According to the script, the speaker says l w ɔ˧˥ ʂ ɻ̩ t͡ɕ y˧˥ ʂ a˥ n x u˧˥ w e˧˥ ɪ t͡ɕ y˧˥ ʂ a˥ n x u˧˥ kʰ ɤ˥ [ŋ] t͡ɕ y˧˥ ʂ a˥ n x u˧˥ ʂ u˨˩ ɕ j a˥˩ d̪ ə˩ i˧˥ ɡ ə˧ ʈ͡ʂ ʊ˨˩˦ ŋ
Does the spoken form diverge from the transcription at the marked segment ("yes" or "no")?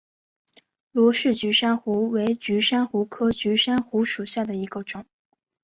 yes